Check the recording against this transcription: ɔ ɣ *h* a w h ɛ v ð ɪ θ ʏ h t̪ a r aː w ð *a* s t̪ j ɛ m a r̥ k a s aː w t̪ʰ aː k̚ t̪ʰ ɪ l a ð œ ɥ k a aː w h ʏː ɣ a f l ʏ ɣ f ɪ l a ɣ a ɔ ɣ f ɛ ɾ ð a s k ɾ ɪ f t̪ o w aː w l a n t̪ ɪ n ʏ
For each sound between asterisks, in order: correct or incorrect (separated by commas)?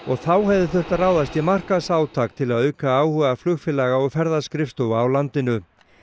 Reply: incorrect, correct